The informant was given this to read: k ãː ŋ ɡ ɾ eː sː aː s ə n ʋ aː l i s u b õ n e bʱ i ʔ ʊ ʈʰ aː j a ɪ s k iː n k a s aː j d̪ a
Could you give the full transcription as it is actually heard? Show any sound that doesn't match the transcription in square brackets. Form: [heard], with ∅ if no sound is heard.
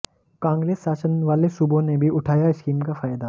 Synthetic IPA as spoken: k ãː ŋ ɡ ɾ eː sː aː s ə n ʋ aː l [e] s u b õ n e bʱ i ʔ ʊ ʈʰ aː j a ɪ s k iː [m] k a [f] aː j d̪ a